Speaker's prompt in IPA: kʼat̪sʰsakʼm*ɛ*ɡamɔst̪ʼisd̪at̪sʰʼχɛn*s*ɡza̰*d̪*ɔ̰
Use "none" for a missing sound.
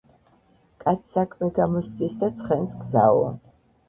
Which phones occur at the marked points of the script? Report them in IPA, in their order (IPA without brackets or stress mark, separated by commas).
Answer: ɛ, s, none